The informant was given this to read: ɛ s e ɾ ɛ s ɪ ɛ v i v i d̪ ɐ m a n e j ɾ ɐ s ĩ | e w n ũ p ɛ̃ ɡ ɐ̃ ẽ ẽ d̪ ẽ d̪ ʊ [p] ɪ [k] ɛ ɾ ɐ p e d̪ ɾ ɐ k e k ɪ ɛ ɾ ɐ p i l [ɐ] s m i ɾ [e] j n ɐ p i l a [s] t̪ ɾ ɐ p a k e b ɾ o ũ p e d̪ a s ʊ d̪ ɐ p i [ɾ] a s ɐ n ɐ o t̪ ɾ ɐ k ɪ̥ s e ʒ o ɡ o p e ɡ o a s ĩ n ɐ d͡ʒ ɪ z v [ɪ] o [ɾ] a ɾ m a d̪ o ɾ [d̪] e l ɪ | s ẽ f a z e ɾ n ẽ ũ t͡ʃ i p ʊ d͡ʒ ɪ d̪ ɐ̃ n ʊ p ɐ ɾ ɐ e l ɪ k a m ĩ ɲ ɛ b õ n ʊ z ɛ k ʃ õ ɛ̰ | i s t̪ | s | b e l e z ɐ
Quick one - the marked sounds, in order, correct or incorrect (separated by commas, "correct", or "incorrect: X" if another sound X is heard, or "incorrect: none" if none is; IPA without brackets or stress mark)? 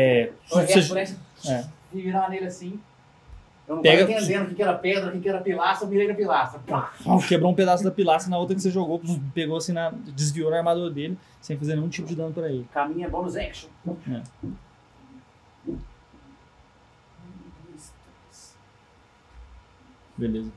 incorrect: k, correct, incorrect: a, correct, correct, incorrect: l, incorrect: i, correct, correct